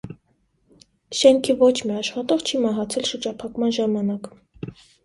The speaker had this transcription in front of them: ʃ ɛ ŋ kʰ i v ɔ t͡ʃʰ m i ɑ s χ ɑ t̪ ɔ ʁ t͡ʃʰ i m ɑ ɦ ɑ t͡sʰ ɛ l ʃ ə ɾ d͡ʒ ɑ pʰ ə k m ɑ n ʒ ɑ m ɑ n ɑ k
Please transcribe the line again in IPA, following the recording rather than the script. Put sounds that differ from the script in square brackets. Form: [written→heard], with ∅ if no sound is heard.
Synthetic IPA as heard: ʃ ɛ ŋ kʰ i v ɔ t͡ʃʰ m i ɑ [s→ʃ] χ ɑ t̪ ɔ ʁ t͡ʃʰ i m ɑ ɦ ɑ t͡sʰ ɛ l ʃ ə ɾ d͡ʒ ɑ pʰ [ə→ɑ] k m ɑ n ʒ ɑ m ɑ n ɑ k